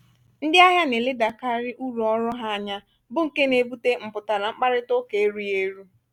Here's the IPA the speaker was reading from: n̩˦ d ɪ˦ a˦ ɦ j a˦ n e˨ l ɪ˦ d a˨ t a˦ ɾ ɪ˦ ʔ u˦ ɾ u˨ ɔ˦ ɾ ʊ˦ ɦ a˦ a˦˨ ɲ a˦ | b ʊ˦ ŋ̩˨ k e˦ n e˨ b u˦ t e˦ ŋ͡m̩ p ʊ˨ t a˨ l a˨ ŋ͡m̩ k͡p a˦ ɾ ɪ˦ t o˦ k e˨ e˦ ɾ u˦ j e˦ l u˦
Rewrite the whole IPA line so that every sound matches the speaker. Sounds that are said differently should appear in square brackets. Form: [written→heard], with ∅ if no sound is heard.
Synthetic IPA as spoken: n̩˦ d ɪ˦ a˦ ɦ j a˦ n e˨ l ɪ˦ d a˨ [t→k] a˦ ɾ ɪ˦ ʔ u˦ ɾ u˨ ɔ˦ ɾ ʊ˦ ɦ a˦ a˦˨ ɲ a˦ | b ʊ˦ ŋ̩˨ k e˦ n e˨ b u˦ t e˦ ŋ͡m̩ p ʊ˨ t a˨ l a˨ ŋ͡m̩ k͡p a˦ ɾ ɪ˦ t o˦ k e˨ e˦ ɾ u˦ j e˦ [l→ɾ] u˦